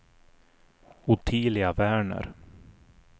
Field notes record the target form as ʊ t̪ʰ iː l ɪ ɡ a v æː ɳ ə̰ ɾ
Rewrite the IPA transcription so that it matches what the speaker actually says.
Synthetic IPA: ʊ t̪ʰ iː l ɪ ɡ a v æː ɳ ə̰ ɾ